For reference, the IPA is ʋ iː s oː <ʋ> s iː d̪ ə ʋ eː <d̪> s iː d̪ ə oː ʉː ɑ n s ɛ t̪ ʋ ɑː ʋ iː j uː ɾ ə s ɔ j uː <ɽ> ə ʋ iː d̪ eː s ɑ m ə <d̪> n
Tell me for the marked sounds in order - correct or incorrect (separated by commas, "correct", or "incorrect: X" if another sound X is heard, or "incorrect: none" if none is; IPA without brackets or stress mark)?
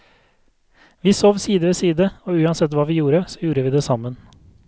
correct, incorrect: none, incorrect: ɾ, incorrect: none